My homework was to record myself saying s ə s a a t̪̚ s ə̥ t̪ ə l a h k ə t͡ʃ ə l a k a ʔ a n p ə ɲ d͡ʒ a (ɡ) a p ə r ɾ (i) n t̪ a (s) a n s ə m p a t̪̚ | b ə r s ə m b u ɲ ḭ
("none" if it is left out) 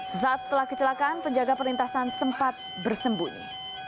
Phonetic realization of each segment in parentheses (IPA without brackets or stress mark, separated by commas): ɡ, i, s